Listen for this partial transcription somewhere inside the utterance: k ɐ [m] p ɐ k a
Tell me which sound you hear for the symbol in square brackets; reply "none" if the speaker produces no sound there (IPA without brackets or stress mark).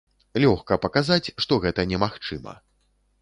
none